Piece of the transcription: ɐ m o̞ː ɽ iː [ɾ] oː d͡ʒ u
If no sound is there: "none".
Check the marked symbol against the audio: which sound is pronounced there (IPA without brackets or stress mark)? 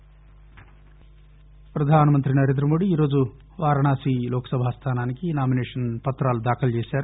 ɾ